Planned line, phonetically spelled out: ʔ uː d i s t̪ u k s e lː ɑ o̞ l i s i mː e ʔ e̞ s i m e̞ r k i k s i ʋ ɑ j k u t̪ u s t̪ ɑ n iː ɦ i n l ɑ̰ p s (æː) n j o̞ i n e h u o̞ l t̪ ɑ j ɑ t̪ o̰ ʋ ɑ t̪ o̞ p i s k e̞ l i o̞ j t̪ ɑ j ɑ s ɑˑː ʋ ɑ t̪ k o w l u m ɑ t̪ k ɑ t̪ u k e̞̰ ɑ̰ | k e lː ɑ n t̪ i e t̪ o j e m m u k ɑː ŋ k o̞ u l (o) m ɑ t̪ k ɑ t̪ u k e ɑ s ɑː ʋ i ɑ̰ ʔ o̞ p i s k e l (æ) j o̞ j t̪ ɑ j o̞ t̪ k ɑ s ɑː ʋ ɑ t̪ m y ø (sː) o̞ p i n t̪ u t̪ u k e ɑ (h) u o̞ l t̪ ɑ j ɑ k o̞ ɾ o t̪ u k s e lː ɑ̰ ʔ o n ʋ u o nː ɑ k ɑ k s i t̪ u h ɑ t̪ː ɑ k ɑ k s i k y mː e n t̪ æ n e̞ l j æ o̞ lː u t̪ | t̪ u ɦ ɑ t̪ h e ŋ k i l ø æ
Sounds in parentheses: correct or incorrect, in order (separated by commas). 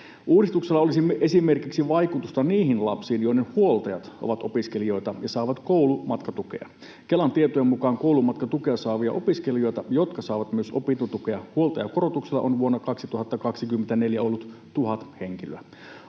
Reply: incorrect, incorrect, incorrect, incorrect, correct